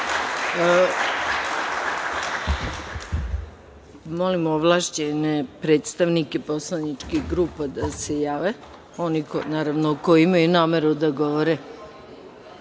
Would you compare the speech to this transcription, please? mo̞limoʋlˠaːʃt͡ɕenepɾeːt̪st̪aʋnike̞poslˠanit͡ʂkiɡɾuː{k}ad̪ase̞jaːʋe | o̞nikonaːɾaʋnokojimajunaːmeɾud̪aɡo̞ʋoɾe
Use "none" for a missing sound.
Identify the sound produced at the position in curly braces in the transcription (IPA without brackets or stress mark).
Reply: p